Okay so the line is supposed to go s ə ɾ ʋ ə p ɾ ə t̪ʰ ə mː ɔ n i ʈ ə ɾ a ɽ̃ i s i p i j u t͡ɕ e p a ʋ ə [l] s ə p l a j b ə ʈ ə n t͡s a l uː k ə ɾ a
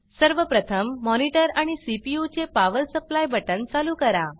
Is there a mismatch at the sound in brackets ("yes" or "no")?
no